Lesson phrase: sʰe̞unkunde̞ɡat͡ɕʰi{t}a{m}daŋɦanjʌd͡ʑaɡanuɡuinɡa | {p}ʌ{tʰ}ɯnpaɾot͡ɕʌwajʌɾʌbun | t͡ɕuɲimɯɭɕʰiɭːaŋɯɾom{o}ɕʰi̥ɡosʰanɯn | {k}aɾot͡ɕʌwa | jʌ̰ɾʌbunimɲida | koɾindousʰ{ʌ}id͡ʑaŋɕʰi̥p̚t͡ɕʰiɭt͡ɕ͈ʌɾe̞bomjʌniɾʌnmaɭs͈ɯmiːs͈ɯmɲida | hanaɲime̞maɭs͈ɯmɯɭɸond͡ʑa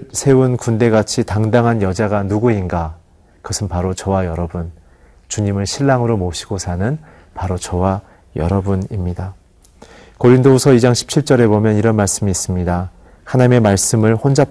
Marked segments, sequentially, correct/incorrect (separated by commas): correct, incorrect, incorrect, incorrect, correct, incorrect, correct